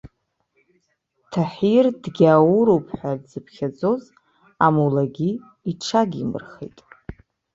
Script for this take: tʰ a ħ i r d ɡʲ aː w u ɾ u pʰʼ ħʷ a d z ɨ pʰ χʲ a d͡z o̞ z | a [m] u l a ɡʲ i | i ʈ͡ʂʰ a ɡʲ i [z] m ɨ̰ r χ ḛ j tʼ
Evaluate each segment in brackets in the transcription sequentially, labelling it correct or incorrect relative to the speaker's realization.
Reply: correct, incorrect: none

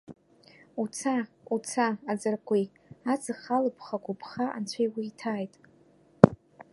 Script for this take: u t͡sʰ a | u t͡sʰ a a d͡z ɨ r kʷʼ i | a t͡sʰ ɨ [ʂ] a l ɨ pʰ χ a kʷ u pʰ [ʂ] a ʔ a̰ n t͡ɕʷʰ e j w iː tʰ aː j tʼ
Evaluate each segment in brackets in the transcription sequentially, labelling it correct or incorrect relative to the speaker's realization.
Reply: incorrect: χ, incorrect: χ

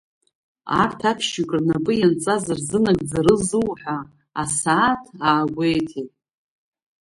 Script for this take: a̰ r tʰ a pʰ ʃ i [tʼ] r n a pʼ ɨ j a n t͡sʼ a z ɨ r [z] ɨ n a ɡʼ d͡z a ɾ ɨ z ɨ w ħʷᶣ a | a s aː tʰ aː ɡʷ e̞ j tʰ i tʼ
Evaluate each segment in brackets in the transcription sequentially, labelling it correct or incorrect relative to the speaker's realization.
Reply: incorrect: kʼ, correct

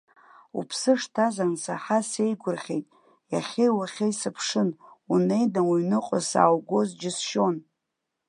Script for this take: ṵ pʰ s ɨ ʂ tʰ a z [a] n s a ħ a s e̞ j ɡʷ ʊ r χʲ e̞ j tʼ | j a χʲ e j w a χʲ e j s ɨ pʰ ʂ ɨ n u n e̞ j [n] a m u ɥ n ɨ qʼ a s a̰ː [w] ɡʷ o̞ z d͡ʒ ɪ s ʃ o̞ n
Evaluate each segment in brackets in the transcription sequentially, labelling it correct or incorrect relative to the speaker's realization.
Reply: correct, incorrect: d, correct

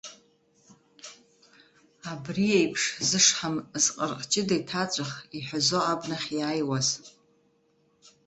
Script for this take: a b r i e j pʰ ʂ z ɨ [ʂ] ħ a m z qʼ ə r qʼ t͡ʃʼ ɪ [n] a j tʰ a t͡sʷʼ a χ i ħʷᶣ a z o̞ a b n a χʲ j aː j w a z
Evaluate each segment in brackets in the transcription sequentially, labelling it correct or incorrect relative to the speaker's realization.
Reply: correct, incorrect: d

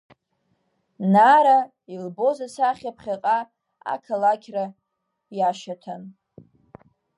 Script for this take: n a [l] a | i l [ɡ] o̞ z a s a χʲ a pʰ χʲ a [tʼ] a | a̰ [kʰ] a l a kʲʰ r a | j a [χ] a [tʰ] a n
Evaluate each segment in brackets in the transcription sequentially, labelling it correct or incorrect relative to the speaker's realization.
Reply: incorrect: ɾ, incorrect: b, incorrect: qʼ, correct, incorrect: ʃ, correct

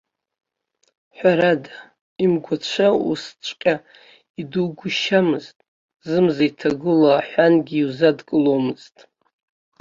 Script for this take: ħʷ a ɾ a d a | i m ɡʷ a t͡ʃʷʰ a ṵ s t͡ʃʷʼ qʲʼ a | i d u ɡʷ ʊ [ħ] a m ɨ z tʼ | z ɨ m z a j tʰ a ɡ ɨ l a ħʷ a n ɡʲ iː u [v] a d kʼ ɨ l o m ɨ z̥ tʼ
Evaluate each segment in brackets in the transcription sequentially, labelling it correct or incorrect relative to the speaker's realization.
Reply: incorrect: ʃ, incorrect: z

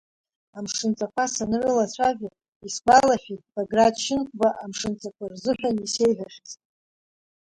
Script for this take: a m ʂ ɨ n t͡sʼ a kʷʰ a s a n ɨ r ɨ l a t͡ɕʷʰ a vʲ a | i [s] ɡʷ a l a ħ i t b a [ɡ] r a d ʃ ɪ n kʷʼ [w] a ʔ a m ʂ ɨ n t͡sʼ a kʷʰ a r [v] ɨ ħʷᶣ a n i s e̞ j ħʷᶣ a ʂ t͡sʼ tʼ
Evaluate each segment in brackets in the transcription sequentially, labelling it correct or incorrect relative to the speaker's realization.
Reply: correct, correct, incorrect: b, incorrect: z

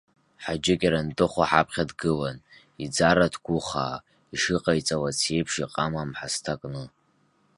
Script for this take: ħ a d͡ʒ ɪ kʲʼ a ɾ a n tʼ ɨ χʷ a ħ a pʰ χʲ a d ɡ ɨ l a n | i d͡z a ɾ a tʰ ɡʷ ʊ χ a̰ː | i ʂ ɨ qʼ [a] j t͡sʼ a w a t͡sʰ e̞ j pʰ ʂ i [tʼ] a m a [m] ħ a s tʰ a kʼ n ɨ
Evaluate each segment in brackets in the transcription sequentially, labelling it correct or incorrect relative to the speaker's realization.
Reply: correct, incorrect: qʼ, correct

